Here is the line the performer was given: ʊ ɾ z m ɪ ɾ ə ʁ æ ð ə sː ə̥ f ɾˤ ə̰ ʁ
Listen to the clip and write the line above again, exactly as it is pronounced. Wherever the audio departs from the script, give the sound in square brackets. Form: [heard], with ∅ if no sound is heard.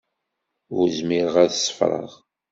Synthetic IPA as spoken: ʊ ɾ z m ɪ ɾ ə ʁ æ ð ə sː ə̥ f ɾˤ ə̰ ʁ